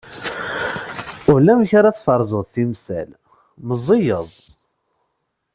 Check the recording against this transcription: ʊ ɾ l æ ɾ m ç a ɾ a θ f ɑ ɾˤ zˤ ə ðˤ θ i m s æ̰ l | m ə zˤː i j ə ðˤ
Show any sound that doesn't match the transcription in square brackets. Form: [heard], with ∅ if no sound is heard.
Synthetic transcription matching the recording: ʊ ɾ l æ [∅] m ç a ɾ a θ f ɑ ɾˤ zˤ ə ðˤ θ i m s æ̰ l | m ə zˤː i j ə ðˤ